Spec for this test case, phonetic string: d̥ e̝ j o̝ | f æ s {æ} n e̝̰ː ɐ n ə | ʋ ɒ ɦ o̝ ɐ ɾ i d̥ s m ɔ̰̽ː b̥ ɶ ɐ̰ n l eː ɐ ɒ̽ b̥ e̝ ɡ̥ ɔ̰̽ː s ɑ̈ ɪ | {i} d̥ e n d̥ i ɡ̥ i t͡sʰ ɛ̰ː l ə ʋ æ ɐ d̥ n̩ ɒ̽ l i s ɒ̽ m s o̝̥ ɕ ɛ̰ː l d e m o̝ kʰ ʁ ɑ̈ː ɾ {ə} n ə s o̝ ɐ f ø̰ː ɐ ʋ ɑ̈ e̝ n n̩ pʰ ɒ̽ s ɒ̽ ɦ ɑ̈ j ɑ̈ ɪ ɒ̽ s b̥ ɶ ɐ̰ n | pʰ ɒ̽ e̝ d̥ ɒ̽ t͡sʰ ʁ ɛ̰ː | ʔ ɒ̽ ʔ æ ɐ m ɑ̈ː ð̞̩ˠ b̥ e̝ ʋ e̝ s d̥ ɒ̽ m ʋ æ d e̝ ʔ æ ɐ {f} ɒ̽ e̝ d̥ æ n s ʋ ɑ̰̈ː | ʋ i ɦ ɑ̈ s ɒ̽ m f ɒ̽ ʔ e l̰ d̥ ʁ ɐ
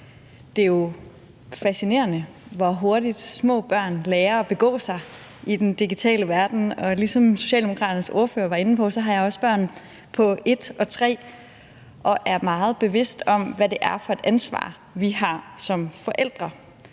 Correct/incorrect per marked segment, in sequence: incorrect, correct, incorrect, correct

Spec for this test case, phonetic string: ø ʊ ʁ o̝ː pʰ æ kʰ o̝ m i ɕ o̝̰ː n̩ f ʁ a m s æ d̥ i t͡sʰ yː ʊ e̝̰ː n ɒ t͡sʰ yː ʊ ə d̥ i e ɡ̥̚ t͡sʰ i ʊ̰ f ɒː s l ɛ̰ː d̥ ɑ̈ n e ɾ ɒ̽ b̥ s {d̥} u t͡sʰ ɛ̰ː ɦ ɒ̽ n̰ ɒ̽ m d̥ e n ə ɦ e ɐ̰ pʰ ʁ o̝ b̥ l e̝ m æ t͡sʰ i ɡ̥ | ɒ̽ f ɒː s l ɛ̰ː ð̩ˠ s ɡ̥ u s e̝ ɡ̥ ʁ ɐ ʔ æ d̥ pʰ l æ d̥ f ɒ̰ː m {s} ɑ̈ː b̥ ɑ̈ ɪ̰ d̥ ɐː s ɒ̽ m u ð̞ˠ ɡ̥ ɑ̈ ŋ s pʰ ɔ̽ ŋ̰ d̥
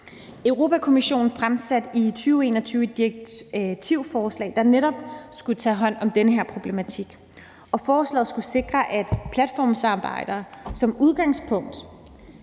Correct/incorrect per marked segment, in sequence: incorrect, correct

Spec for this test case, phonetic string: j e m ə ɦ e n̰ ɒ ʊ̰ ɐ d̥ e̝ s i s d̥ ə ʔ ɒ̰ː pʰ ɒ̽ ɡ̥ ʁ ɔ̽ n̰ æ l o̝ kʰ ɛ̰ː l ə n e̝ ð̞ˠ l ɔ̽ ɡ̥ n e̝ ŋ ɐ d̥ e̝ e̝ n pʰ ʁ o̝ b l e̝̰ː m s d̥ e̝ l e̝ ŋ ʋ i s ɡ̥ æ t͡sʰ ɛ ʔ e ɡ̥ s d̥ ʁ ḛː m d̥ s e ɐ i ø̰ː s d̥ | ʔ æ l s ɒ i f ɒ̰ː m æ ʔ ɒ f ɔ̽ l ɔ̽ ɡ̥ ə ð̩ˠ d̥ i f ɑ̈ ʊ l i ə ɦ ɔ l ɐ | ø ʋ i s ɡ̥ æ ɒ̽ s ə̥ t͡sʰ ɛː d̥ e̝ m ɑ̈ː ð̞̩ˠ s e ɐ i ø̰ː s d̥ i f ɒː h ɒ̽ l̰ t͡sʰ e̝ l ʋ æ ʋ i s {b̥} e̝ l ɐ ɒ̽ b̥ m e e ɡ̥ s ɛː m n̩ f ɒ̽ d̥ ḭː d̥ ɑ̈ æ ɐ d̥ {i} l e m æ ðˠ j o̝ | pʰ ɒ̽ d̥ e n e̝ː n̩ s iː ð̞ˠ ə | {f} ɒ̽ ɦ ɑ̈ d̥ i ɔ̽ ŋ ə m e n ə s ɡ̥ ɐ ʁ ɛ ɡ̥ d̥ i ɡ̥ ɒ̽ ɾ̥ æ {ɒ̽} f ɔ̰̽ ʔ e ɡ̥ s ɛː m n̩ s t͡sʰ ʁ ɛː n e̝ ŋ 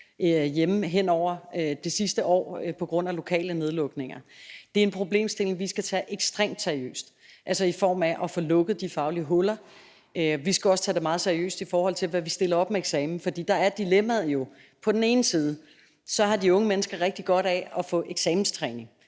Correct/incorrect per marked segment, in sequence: incorrect, correct, incorrect, correct

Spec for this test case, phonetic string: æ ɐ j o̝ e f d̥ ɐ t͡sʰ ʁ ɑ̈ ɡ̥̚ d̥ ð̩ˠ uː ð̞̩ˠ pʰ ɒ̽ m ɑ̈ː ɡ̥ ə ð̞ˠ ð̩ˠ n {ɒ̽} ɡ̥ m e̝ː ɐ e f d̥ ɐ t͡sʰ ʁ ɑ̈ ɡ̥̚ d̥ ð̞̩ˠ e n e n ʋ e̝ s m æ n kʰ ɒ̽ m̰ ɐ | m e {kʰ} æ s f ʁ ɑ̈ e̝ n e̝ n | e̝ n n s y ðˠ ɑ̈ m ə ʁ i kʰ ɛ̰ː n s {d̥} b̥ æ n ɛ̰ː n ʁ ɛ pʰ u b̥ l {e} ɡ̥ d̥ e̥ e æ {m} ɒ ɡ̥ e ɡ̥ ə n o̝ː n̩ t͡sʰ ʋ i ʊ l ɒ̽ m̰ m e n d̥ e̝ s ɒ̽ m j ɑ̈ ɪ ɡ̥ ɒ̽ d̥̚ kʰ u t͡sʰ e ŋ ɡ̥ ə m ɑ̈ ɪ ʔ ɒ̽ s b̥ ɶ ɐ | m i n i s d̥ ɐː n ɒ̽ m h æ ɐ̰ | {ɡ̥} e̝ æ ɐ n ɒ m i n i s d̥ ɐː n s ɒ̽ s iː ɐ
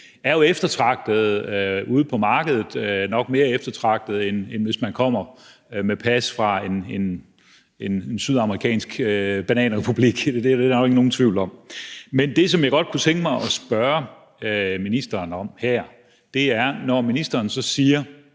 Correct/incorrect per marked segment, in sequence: correct, incorrect, incorrect, incorrect, incorrect, incorrect

